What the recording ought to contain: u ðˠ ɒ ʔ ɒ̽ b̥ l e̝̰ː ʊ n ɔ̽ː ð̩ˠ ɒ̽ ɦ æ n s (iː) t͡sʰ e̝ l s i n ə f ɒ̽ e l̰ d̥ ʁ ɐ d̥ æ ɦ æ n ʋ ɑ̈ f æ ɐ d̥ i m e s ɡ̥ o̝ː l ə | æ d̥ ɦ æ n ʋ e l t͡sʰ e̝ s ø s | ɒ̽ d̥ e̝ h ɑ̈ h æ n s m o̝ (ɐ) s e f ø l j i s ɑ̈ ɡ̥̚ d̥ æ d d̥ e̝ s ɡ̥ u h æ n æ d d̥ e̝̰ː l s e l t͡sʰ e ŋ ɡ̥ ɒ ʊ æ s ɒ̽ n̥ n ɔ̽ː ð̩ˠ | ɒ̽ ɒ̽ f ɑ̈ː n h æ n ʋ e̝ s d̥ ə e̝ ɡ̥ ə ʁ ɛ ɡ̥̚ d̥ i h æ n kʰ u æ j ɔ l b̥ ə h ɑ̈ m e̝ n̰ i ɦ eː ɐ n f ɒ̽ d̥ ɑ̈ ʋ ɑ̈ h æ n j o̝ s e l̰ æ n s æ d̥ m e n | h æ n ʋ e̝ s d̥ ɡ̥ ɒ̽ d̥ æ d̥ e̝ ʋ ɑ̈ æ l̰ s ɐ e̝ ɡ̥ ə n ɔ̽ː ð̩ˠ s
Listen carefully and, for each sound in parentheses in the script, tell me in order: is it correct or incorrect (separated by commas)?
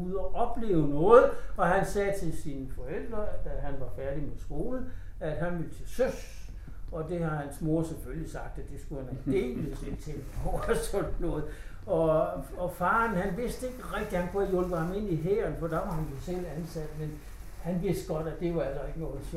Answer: incorrect, correct